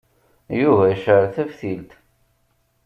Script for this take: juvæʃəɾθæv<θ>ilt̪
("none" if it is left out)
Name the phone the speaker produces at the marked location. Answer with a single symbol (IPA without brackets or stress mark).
θ